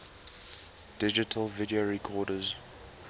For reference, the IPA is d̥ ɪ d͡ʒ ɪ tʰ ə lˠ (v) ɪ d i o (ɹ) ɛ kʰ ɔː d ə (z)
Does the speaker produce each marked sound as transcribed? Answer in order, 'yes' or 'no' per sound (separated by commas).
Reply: yes, yes, yes